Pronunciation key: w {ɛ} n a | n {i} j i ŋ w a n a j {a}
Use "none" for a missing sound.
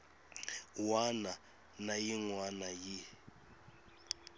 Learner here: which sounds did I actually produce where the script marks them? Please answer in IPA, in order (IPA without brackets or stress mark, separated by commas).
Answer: a, a, i